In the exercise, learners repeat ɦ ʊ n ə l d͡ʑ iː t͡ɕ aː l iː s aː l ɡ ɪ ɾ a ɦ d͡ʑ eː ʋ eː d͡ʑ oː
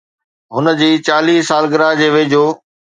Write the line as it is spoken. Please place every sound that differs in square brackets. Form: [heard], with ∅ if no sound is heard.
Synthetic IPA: ɦ ʊ n ə [∅] d͡ʑ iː t͡ɕ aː l iː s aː l ɡ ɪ ɾ a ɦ d͡ʑ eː ʋ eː d͡ʑ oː